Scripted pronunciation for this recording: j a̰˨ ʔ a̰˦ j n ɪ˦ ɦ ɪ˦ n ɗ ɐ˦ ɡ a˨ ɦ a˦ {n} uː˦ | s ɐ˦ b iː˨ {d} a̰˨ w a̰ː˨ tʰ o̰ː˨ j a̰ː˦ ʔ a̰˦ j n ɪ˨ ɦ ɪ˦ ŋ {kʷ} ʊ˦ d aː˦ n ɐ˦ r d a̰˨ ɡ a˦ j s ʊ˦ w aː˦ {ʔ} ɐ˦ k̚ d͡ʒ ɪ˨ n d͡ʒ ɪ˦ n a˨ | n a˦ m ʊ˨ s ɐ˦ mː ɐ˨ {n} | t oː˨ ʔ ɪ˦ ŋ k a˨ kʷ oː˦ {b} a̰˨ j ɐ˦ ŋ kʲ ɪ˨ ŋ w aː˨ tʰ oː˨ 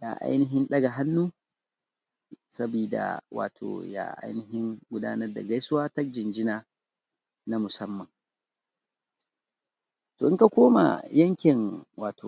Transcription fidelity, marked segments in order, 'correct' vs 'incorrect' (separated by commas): incorrect, correct, incorrect, incorrect, incorrect, incorrect